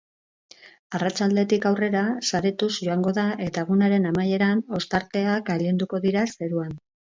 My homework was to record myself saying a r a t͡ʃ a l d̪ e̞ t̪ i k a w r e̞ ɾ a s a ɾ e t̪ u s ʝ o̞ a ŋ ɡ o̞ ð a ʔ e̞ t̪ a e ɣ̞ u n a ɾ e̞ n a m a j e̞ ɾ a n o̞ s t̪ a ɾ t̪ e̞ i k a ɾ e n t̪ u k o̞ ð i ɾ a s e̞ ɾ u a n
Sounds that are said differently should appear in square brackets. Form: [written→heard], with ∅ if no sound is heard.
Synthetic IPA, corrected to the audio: a r a t͡ʃ a l d̪ e̞ t̪ i k a w r e̞ ɾ a s a ɾ e t̪ u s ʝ o̞ a ŋ ɡ o̞ ð a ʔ e̞ t̪ a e ɣ̞ u n a ɾ e̞ n a m a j e̞ ɾ a n o̞ s t̪ a ɾ t̪ e̞ [i→a] k a [ɾ→ʎ] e n [t̪→d̪] u k o̞ ð i ɾ a s e̞ ɾ u a n

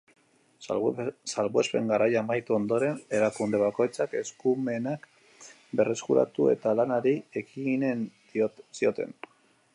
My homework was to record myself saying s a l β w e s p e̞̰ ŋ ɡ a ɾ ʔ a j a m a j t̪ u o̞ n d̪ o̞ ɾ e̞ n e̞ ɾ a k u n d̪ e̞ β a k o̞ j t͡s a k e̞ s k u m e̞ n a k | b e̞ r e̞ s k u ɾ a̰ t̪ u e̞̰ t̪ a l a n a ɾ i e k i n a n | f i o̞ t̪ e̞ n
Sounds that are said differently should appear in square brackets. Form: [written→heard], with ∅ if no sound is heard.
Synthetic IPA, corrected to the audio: s a l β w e s p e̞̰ ŋ ɡ a ɾ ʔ a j a m a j t̪ u o̞ n d̪ o̞ ɾ e̞ n e̞ ɾ a k u n d̪ e̞ β a k o̞ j t͡s a k e̞ s k u m e̞ n a k | b e̞ r e̞ s k u ɾ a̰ t̪ u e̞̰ t̪ a l a n a ɾ i e k i n [a→e] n | [f→s] i o̞ t̪ e̞ n

